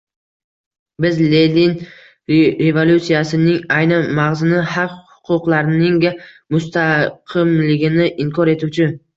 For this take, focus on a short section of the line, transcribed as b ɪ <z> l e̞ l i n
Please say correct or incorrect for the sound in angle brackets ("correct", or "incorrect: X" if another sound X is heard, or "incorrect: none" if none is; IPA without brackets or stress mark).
correct